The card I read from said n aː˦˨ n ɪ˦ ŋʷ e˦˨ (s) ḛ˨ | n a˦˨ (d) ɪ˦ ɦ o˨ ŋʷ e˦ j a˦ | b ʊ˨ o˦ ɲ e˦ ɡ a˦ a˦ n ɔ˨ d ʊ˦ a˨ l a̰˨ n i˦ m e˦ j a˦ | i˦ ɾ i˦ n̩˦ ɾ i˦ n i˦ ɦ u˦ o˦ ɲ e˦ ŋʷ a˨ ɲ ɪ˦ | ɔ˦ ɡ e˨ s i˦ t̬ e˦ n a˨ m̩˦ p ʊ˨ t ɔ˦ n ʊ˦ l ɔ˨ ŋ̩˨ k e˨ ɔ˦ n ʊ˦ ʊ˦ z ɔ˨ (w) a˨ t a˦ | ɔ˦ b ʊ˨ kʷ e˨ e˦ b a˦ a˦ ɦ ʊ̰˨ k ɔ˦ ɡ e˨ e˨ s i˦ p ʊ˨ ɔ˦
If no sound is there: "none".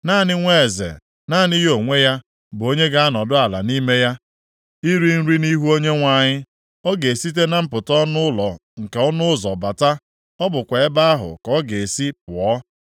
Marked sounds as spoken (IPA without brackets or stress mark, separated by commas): z, n, b